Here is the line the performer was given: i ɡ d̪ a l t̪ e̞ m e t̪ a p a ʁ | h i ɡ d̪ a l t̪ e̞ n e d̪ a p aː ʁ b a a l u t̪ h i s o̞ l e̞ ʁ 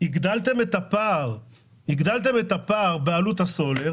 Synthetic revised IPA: i ɡ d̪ a l t̪ e̞ m e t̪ a p a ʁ | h i ɡ d̪ a l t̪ e̞ m e t̪ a p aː ʁ b e a l u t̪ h a s o̞ l e̞ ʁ

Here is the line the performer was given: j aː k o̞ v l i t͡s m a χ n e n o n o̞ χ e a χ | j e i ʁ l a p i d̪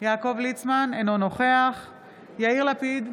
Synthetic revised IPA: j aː k o̞ v l i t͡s m a n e n o n o̞ χ e a χ | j a i ʁ l a p i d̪

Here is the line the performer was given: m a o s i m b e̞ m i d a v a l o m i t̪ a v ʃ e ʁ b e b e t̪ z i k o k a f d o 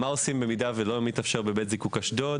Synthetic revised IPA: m a o s i m b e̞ m i d a v e l o m i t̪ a f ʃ e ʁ b e b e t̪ z i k u k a ʃ d o

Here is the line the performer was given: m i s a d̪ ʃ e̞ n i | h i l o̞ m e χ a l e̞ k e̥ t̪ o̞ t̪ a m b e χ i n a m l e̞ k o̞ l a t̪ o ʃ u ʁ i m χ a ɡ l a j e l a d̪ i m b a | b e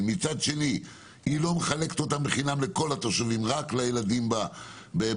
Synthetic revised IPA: m i t͡s a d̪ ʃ e̞ n i | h i l o̞ m e χ a l e̞ k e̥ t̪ o̞ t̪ a m b e χ i n a m l e̞ k o̞ l a t̪ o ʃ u v i m ʁ a k l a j e l a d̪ i m b a | b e

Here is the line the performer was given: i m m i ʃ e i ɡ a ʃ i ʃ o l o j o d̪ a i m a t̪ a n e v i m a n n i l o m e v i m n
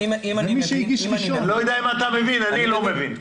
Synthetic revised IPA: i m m i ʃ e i ɡ i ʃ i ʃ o l o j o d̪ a i m a t̪ a m e v i n a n n i l o m e v i n

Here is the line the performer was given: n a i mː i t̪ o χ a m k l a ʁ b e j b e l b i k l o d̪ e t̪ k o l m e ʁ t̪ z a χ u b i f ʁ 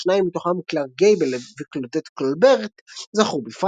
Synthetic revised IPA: n a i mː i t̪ o χ a m k l a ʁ ɡ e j b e l v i k l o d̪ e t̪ k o l b e ʁ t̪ z a χ u b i f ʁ

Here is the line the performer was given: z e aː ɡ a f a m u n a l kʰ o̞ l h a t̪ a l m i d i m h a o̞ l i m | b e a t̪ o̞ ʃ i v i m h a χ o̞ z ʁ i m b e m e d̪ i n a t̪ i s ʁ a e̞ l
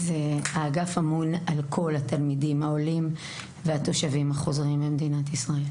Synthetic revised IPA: z e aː ɡ a f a m u n a l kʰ o̞ l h a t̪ a l m i d i m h a o̞ l i m | v e a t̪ o̞ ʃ a v i m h a χ o̞ z ʁ i m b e m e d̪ i n a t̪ i s ʁ a e̞ l

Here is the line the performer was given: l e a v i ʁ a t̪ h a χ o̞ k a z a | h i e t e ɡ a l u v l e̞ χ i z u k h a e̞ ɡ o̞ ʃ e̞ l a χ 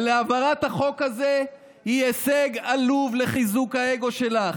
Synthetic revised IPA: l e a v a ʁ a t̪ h a χ o̞ k a z e | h i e s e ɡ a l u v l e̞ χ i z u k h a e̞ ɡ o̞ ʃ e̞ l a χ

